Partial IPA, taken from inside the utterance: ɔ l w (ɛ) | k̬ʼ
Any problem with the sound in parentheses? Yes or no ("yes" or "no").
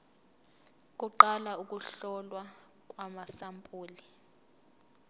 yes